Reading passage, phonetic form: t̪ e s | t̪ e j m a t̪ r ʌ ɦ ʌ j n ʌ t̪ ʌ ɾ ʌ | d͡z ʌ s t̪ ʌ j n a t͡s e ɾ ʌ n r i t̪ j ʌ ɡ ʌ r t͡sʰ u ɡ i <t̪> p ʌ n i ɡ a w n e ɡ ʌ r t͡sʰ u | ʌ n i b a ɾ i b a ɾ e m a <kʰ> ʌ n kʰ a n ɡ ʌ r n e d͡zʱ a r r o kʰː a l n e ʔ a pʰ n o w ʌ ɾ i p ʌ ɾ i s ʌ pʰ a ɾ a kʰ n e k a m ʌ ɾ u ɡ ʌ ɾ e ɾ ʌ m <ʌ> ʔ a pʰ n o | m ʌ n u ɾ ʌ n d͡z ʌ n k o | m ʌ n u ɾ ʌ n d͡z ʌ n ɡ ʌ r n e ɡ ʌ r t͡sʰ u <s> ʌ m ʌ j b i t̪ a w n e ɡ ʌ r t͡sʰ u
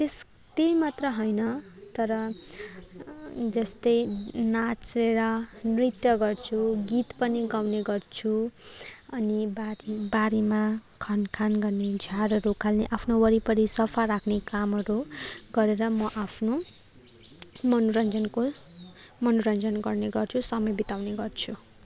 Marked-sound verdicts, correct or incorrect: correct, correct, correct, correct

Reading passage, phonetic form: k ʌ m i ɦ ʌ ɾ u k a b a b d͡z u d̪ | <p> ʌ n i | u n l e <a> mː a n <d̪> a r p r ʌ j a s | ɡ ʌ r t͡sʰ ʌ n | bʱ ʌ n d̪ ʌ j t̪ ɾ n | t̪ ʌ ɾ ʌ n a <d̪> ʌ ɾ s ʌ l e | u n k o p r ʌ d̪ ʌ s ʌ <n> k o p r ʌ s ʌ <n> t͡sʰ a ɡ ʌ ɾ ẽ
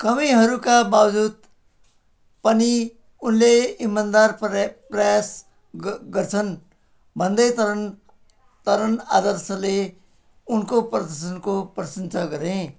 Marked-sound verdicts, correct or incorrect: correct, incorrect: i, correct, correct, correct, correct

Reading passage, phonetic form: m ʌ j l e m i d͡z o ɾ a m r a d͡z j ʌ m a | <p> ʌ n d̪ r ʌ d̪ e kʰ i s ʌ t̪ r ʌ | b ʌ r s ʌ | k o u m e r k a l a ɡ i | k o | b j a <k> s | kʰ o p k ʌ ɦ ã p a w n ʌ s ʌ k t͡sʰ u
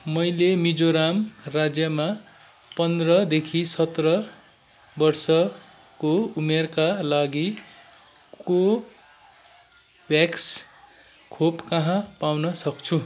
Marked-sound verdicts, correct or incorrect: correct, correct

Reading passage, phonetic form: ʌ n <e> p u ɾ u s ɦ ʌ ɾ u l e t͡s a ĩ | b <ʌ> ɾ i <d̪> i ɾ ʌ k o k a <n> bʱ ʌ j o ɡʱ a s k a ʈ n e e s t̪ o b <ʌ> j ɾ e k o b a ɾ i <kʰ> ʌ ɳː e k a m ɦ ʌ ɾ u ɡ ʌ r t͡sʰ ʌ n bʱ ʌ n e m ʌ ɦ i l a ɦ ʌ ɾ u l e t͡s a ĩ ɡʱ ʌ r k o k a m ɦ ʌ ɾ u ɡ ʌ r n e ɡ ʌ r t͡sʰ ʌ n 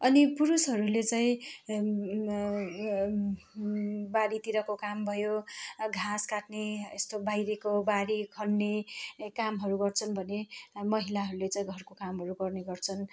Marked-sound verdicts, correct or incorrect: incorrect: i, incorrect: a, incorrect: t̪, incorrect: m, incorrect: a, correct

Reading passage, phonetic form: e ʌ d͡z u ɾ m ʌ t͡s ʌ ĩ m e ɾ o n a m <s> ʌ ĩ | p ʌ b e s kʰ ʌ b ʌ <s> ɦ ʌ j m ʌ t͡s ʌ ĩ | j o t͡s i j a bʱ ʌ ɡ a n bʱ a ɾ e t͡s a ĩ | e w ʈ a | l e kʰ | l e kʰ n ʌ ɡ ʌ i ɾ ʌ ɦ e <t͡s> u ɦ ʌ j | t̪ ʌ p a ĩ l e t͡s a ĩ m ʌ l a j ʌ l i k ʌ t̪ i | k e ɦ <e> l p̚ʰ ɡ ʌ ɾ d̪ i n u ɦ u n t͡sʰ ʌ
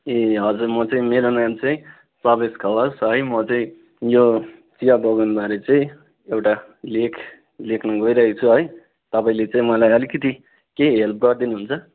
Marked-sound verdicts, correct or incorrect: incorrect: t͡s, correct, incorrect: t͡sʰ, correct

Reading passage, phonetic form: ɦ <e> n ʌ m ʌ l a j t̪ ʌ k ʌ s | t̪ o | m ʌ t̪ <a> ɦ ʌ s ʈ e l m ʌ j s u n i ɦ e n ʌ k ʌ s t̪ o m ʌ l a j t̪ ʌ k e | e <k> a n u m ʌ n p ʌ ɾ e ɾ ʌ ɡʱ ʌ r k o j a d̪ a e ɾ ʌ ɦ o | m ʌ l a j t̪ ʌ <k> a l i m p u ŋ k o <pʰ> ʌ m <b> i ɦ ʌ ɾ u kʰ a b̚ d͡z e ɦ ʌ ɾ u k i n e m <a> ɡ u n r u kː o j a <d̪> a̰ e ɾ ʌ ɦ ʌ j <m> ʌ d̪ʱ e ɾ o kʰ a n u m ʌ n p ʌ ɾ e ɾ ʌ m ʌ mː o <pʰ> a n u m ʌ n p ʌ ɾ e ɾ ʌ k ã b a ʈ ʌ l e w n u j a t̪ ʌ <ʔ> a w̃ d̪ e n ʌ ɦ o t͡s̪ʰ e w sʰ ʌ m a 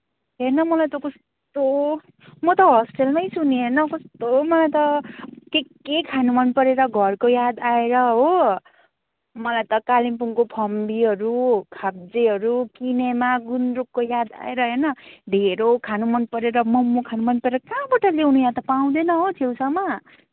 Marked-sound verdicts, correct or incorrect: correct, incorrect: ʌ, incorrect: kʰ, correct, correct, correct, correct, correct, incorrect: n, incorrect: kʰ, incorrect: p

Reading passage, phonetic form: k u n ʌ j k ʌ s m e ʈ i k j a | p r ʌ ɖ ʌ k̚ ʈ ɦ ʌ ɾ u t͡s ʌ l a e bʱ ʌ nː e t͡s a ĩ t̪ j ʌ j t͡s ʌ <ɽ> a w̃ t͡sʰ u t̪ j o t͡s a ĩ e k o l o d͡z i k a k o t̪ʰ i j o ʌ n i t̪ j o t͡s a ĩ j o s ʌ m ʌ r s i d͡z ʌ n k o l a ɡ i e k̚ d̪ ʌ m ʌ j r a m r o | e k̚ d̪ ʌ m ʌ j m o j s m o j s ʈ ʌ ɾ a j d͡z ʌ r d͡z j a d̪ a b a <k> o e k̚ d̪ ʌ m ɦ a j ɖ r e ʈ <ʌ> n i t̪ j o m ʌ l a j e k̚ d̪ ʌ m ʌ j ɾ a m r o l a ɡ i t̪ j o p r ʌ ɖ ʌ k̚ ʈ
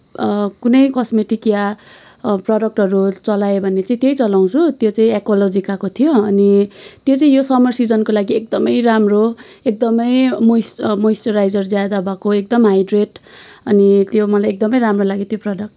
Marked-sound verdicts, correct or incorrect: incorrect: l, correct, correct

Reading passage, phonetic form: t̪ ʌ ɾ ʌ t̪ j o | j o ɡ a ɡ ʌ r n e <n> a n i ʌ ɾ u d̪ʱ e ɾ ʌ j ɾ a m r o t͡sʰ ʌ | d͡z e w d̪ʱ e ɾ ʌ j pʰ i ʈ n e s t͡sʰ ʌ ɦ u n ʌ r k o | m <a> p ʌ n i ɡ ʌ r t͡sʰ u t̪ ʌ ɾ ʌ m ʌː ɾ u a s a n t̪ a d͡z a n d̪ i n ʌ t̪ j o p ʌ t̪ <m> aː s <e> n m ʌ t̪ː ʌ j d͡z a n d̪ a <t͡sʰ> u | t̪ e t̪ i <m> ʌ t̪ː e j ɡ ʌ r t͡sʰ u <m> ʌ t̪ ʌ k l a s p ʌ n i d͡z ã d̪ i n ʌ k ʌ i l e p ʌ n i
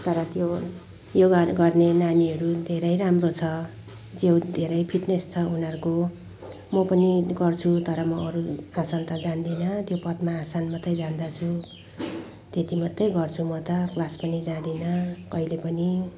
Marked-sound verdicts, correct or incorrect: correct, incorrect: ʌ, correct, incorrect: a, correct, correct, correct

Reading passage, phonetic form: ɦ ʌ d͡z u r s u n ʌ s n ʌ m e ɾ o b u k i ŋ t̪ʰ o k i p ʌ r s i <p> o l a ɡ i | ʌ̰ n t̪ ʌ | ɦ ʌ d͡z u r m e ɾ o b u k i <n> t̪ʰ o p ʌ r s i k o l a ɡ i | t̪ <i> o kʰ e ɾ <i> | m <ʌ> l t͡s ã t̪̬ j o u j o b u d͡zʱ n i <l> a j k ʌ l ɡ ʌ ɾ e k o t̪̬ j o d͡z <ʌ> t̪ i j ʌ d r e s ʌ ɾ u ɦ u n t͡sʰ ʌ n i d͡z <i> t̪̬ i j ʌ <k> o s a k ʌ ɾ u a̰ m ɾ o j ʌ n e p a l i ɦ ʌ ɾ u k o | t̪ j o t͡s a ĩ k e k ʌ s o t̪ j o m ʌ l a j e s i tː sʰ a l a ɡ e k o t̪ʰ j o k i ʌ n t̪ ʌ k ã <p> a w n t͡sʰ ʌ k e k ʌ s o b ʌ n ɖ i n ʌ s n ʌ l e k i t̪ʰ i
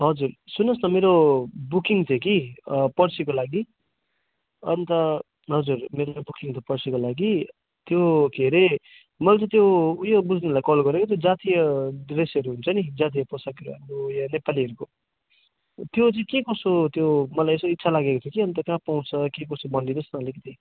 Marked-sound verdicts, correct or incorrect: incorrect: k, incorrect: ŋ, incorrect: j, incorrect: e, correct, correct, incorrect: a, incorrect: a, incorrect: p, correct

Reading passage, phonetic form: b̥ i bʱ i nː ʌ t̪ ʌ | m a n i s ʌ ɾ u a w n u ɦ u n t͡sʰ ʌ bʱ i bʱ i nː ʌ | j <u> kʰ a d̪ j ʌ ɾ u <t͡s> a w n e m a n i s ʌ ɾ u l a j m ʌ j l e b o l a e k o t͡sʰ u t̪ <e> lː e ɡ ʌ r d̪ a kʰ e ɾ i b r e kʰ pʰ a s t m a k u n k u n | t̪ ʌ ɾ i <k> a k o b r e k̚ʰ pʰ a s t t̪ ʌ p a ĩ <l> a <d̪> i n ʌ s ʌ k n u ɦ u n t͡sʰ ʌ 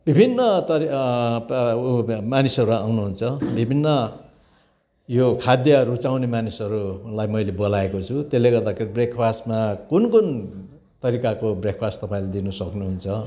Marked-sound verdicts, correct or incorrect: incorrect: o, correct, correct, correct, correct, correct

